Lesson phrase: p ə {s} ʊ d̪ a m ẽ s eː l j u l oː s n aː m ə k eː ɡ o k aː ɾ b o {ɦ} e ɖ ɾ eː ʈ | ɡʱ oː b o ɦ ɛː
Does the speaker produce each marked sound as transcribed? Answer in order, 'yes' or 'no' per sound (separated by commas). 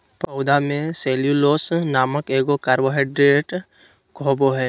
no, yes